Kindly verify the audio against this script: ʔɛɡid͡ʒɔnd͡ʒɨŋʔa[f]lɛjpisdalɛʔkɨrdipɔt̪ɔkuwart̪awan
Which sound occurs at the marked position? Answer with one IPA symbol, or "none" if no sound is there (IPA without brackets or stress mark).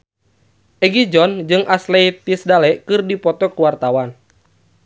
s